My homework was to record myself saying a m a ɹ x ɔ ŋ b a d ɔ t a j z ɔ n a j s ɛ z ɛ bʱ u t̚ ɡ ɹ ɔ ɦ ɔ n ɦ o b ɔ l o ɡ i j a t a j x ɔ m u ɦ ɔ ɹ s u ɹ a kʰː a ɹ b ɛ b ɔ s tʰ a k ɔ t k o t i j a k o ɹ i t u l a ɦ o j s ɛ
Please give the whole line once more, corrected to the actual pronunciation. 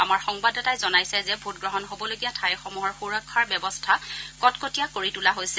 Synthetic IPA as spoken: a m a ɹ x ɔ ŋ b a d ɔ t a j z ɔ n a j s ɛ z ɛ bʱ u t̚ ɡ ɹ ɔ ɦ ɔ n ɦ o b ɔ l o ɡ i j a tʰ a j x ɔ m u ɦ ɔ ɹ x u ɹ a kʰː a ɹ b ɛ b ɔ s tʰ a k ɔ t k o t i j a k o ɹ i t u l a ɦ o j s ɛ